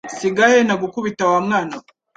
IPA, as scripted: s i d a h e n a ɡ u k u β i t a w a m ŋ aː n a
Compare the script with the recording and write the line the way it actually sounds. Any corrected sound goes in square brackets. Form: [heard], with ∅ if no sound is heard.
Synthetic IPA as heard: s i [ɡ] a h e n a ɡ u k u β i t a w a m ŋ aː n a